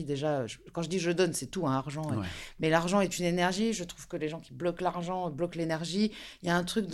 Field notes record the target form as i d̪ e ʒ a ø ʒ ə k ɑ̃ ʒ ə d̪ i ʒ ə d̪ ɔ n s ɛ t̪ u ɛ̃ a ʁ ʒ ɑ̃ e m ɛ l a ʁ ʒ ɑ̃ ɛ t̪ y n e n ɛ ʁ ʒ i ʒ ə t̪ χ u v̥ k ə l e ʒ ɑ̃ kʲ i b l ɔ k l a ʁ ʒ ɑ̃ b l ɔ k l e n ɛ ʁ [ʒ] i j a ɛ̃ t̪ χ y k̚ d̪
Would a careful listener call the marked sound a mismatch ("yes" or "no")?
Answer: no